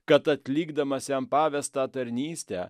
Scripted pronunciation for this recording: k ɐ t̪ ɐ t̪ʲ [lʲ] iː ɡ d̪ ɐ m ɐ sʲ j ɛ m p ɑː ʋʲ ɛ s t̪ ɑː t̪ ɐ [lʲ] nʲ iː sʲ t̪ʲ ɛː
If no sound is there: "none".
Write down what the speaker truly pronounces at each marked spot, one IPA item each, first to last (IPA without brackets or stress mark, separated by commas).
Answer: lʲ, ɾʲ